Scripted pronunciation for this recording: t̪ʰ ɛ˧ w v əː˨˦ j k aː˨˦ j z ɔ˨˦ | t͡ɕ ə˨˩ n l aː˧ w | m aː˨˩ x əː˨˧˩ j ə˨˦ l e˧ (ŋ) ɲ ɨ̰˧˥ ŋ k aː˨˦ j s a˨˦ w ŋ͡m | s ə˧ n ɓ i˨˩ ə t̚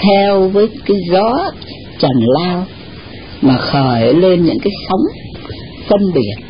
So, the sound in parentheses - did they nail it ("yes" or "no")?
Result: no